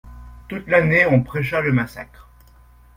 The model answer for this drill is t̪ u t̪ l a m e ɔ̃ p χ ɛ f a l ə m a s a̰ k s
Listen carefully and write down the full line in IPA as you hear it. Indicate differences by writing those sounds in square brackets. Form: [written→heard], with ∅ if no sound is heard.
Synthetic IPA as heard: t̪ u t̪ l a [m→n] e ɔ̃ p χ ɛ [f→ʃ] a l ə m a s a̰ k [s→χ]